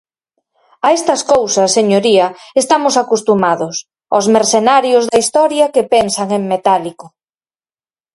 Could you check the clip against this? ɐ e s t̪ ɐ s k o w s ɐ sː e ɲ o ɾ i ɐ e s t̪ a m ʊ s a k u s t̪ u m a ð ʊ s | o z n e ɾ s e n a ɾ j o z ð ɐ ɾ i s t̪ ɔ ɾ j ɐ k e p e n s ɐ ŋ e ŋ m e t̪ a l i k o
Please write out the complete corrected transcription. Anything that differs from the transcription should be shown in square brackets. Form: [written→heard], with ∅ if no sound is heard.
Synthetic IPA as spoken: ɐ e s t̪ ɐ s k o w s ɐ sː e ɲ o ɾ i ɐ e s t̪ a m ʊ s a k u s t̪ u m a ð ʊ s | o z [n→m] e ɾ s e n a ɾ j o z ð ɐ [ɾ→∅] i s t̪ ɔ ɾ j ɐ k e p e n s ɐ ŋ e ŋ m e t̪ a l i k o